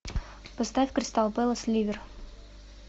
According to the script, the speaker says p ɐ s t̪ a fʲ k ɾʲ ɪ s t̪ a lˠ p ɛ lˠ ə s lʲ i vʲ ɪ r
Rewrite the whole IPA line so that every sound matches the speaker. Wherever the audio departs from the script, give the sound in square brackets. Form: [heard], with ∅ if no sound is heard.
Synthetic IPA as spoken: p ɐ s t̪ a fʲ k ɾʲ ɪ s t̪ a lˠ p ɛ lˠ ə s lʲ i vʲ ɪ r